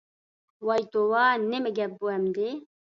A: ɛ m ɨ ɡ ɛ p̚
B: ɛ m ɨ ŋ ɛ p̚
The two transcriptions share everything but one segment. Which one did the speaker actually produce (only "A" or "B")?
A